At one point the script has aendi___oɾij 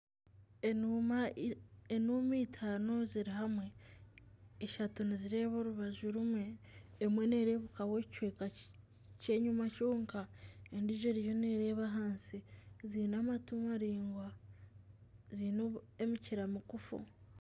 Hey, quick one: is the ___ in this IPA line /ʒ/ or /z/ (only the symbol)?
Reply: ʒ